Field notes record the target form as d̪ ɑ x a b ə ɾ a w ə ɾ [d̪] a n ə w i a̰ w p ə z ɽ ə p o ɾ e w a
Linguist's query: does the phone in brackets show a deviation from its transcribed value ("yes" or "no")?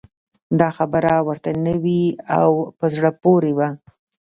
yes